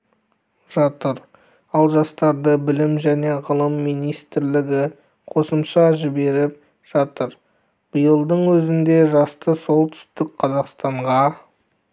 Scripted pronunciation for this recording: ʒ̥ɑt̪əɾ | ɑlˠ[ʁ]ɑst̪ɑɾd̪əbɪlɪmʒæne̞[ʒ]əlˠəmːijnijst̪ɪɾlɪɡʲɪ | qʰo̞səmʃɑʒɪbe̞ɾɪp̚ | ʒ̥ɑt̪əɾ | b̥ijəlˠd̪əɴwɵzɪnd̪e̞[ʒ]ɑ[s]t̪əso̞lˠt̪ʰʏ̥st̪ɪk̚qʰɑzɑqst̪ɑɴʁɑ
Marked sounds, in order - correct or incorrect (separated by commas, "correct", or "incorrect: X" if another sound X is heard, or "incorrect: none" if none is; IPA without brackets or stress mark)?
incorrect: ʒ, incorrect: ʁ, correct, correct